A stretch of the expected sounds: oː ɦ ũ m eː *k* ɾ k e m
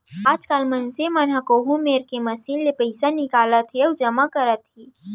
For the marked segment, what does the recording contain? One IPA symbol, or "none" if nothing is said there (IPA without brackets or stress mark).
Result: none